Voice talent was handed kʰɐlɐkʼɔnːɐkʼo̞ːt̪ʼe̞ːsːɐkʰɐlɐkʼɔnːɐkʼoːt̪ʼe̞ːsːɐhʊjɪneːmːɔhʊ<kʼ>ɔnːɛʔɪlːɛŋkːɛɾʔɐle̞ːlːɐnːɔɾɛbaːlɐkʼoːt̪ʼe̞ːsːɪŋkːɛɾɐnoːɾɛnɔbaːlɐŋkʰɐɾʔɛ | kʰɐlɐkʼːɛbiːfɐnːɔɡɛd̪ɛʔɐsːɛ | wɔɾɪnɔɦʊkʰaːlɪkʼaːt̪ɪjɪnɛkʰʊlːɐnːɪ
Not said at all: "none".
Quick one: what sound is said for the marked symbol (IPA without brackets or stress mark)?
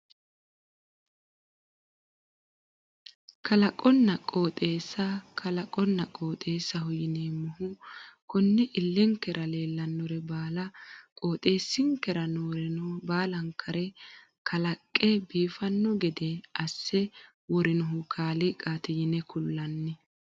k